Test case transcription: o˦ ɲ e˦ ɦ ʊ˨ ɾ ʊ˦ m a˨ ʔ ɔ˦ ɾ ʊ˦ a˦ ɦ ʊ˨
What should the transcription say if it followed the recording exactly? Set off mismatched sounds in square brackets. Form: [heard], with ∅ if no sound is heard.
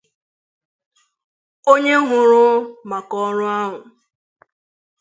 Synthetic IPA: o˦ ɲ e˦ ɦ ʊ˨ ɾ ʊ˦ m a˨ [k] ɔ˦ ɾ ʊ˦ a˦ ɦ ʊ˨